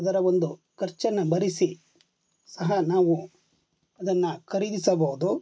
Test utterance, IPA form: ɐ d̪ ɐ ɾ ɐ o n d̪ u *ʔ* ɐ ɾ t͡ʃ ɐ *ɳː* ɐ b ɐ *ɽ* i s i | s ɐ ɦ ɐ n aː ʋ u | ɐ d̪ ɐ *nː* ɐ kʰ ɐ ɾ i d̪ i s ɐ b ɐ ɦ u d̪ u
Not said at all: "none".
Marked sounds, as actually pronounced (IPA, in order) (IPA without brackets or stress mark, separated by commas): k, nː, ɾ, nː